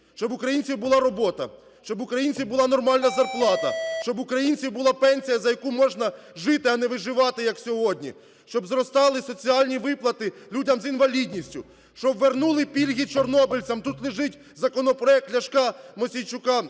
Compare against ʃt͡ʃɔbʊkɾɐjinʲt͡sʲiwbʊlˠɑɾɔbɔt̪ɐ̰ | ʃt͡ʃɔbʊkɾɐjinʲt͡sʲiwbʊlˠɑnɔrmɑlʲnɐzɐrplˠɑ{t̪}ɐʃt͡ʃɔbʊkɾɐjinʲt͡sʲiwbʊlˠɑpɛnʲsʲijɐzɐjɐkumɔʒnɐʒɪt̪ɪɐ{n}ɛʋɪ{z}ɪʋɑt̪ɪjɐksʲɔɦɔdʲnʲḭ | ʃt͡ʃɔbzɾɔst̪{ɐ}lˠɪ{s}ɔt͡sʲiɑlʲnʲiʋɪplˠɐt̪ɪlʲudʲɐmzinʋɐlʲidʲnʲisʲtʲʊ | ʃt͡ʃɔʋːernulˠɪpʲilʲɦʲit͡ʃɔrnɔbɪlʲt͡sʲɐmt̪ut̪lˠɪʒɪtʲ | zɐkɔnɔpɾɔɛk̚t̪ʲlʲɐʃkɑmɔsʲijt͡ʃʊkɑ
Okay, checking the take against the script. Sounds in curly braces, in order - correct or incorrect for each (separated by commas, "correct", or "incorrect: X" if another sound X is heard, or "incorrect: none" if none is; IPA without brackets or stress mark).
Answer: correct, correct, incorrect: ʒ, incorrect: ɑ, correct